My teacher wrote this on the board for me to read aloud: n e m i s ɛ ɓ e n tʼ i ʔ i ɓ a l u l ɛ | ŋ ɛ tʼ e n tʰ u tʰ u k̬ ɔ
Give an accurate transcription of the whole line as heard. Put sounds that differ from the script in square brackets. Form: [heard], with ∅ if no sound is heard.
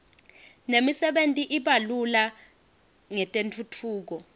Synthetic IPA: n e m i s ɛ ɓ e n tʼ i ʔ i ɓ a l u l [a] | ŋ ɛ tʼ e n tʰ u tʰ [uː] k̬ ɔ